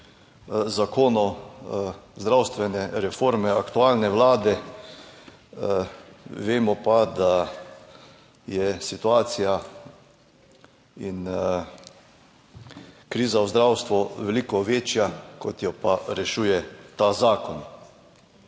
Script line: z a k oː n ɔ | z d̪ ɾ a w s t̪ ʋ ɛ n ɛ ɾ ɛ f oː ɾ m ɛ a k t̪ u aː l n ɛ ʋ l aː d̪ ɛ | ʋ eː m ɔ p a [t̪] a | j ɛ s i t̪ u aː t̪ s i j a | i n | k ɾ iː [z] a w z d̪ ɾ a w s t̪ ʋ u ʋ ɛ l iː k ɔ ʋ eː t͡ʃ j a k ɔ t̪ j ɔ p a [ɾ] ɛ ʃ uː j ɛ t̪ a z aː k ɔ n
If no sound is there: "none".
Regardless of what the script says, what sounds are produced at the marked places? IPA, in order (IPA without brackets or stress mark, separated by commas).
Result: d̪, z, ɾ